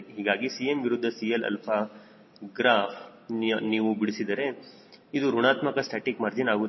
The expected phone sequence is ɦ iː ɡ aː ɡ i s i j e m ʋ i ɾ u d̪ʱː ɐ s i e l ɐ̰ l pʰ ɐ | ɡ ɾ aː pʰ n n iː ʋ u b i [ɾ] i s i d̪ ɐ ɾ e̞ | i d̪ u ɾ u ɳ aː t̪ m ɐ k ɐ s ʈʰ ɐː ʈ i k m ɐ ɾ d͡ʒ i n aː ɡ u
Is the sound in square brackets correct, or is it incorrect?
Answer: incorrect